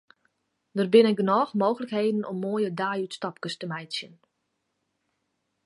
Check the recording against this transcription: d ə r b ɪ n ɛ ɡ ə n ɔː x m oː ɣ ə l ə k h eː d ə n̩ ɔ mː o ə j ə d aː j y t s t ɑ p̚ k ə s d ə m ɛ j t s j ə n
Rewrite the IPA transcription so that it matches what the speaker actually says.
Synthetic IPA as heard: d ə r b ɪ n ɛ ɡ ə n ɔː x m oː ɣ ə l ə k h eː d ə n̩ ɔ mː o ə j ə d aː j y t s t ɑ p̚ k ə s t ə m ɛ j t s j ə n

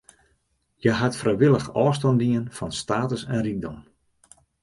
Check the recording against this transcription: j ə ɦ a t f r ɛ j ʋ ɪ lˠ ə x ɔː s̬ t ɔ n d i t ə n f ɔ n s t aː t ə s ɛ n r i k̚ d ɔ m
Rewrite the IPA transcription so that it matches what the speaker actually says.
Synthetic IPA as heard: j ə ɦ a t f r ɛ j ʋ ɪ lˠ ə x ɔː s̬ t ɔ n d i ə n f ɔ n s t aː t ə s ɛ n r i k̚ d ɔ m

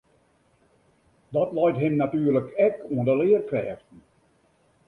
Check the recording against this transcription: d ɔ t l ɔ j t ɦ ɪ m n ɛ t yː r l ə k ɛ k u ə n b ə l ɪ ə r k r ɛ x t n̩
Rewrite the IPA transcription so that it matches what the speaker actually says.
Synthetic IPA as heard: d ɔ t l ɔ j t ɦ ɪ m n a t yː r l ə k ɛ k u ə n d ə l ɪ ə r k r ɛː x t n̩

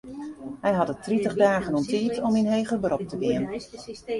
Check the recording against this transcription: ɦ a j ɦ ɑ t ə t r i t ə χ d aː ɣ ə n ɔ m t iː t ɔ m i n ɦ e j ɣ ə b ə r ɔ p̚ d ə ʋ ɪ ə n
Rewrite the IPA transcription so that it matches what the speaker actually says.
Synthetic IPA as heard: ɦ ɛ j ɦ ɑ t ə t r i t ə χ d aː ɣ ə n ɔ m t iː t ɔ m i n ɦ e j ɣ ə b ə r ɔ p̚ t ə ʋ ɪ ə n

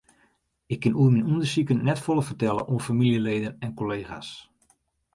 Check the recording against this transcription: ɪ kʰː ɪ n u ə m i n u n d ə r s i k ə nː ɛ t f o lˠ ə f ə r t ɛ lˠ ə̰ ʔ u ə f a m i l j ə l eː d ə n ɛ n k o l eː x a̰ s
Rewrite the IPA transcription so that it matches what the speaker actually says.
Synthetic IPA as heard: ɪ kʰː ɪ n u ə m i n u n d ə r s i k ə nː ɛ t f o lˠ ə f ə r t ɛ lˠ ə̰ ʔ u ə f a m i l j ə l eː d ə n ɛ n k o l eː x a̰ s

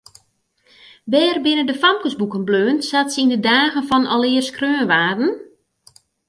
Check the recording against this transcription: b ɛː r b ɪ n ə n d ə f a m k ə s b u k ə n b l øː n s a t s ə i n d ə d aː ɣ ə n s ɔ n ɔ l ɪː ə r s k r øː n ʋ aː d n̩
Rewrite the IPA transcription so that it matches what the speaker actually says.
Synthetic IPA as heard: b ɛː r b ɪ n ə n d ə f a m k ə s b u k ə n b l øː n s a t s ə i n d ə d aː ɣ ə n f ɔ n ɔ l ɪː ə r s k r øː n ʋ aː d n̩

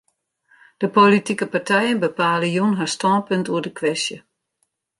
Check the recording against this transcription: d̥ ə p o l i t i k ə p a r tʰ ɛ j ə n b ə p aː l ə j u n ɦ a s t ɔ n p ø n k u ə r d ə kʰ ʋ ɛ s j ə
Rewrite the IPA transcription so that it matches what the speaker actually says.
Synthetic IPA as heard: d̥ ə p o l i t i k ə p a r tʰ ɛ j ə n b ə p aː l ə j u n ɦ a s t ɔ n p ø n t u ə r d ə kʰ ʋ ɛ s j ə

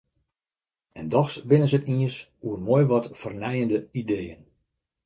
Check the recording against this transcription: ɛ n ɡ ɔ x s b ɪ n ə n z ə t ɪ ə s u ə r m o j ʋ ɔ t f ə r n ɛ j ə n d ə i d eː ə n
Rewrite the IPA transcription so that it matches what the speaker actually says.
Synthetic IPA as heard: ɛ n d ɔ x s b ɪ n ə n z ə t i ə s u ə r m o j ʋ ɔ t f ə r n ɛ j ə n d ə i d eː ə n

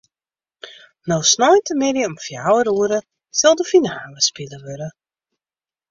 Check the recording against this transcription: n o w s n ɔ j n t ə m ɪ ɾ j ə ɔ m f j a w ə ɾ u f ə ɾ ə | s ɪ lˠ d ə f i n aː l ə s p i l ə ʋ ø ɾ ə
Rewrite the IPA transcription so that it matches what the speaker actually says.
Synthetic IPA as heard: n o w s n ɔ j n t ə m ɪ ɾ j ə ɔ m f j a w ə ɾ u ə ɾ ə | s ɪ lˠ d ə f i n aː l ə s p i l ə ʋ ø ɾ ə

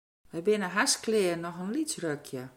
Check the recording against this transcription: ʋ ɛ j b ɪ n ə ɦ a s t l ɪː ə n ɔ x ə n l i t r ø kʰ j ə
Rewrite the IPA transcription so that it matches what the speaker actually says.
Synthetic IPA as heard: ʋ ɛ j b ɪ n ə ɦ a s k l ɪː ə n ɔ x ə n l i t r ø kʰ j ə

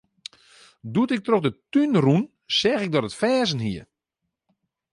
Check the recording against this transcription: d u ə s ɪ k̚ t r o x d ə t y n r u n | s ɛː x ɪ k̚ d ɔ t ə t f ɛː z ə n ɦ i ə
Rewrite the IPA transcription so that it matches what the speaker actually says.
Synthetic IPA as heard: d u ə t ɪ k̚ t r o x d ə t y n r u n | s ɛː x ɪ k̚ d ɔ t ə t f ɛː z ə n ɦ i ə

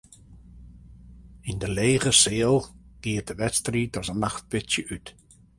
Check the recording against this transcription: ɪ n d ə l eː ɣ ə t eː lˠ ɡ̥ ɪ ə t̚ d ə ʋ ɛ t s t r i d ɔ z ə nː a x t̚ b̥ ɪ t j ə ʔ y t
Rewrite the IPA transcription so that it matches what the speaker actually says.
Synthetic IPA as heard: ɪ n d ə l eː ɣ ə s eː lˠ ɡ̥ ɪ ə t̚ d ə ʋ ɛ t s t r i d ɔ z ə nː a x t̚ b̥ ɪ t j ə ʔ y t

